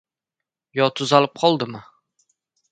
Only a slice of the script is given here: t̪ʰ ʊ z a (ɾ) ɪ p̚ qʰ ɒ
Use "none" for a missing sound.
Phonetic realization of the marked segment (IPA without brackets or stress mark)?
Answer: l